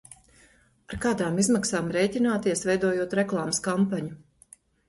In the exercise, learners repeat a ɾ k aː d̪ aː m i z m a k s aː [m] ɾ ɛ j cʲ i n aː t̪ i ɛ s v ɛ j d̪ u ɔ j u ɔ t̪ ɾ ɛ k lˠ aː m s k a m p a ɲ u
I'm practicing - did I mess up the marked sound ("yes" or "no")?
no